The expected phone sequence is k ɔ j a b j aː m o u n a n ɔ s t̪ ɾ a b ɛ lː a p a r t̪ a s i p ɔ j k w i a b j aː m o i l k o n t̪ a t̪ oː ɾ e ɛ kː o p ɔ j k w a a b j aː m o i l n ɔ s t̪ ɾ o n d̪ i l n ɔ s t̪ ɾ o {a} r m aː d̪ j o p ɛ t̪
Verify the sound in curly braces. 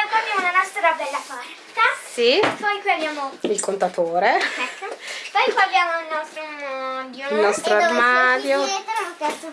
correct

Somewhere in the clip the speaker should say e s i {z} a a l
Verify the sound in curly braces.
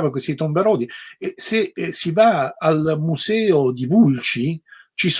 incorrect: v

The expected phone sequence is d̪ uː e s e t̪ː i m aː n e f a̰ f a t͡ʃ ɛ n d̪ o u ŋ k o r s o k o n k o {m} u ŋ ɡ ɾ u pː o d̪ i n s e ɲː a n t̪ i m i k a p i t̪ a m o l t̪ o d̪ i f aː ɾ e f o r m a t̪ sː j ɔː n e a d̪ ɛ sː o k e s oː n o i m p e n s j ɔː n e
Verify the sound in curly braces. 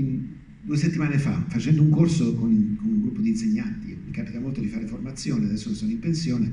incorrect: n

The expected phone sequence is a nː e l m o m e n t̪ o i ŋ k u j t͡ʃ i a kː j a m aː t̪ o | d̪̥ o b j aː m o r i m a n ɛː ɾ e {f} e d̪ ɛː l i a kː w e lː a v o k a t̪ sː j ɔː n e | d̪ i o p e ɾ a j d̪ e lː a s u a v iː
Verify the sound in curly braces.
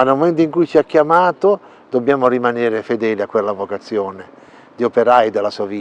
correct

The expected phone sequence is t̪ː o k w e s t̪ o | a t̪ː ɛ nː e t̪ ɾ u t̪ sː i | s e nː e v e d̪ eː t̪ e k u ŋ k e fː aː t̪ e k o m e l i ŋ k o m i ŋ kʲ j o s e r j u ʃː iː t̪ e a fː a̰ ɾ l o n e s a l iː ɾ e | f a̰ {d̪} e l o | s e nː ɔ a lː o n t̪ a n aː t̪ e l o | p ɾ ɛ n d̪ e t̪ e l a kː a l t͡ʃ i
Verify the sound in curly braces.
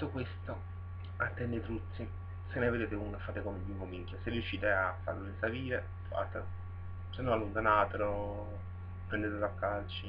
incorrect: t̪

